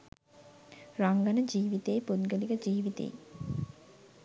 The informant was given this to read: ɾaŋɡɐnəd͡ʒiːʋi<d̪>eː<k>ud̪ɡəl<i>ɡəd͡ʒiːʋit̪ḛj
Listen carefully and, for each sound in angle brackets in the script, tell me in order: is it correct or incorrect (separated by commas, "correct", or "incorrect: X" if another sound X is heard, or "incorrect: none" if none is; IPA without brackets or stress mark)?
incorrect: t̪, incorrect: p, correct